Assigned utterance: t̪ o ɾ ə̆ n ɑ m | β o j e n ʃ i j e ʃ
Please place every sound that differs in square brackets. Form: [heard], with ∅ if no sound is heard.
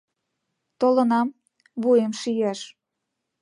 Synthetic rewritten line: t̪ o [l] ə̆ n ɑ m | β [u] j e [m] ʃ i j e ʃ